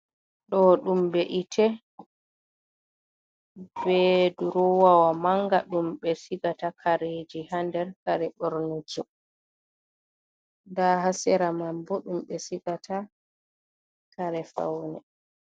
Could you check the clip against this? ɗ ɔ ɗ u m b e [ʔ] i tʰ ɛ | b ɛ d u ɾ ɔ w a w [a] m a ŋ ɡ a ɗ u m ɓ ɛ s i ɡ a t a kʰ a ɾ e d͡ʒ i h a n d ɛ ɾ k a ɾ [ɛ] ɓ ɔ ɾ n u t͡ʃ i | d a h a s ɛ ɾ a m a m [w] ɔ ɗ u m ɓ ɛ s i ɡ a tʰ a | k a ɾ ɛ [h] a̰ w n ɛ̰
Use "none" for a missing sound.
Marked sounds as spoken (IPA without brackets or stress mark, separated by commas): ʔ, a, ɛ, b, f